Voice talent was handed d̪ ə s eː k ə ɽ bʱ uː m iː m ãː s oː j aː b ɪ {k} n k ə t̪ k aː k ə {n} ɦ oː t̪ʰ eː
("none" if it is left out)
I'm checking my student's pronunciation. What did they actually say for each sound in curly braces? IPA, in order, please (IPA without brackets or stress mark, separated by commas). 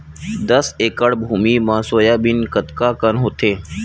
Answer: none, n